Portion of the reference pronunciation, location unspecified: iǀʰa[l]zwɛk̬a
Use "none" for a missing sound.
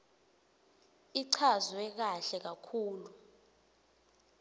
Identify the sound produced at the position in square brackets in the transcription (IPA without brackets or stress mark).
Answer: none